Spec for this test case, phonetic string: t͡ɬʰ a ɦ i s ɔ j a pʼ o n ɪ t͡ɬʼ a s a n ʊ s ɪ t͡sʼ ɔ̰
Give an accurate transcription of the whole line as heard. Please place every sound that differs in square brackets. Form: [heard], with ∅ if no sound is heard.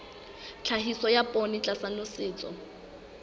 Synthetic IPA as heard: t͡ɬʰ a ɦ i s ɔ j a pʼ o n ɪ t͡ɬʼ a s a n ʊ s [ɪː] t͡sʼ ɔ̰

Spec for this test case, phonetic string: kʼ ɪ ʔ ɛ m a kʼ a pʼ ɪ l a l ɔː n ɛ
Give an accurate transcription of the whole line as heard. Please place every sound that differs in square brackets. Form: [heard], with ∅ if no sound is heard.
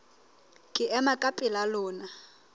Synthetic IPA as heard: kʼ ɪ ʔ ɛ m a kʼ a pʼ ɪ l a l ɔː n [a]

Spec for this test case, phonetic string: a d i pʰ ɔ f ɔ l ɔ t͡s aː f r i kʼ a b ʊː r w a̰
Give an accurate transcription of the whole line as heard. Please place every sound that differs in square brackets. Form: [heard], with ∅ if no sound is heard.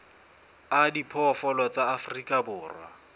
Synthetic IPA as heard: a d i pʰ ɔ f ɔ l ɔ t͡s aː f r i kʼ a b ʊː r w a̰

